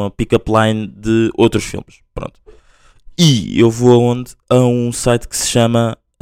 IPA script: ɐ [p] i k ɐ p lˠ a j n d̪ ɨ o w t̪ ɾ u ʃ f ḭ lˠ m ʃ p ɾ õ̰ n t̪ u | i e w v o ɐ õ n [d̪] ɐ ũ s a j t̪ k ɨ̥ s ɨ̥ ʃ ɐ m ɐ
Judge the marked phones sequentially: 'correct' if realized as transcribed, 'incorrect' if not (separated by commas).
correct, correct